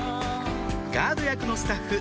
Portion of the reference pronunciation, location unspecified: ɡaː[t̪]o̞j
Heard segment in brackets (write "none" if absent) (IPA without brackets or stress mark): d̪